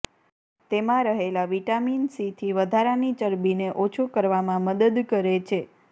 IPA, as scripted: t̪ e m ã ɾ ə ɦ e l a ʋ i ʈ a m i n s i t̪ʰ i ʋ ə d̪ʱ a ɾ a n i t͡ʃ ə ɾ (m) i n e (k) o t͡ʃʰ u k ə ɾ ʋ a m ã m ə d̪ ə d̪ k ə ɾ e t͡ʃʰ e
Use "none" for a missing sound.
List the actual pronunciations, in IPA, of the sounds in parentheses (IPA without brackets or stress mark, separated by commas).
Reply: b, ʔ